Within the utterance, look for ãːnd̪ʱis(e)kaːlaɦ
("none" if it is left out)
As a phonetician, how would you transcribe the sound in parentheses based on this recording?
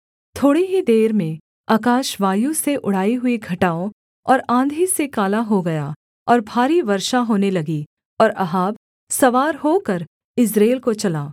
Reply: e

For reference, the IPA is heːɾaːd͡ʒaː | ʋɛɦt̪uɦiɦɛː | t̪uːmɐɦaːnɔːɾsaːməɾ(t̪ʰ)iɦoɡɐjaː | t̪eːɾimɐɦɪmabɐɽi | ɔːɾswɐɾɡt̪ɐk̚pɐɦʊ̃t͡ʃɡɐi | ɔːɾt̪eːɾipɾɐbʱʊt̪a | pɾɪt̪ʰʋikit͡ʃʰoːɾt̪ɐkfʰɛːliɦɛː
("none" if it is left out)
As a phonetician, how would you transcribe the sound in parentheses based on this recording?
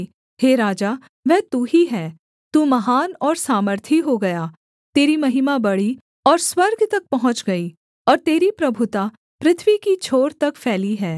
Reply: t̪ʰ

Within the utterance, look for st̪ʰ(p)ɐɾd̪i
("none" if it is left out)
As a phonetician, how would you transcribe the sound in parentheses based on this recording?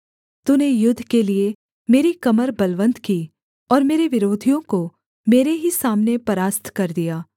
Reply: k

